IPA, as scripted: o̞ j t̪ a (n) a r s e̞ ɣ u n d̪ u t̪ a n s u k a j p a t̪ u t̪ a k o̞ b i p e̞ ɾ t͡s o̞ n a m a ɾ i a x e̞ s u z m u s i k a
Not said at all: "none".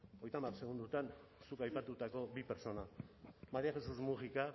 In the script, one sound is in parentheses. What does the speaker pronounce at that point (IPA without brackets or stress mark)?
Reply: m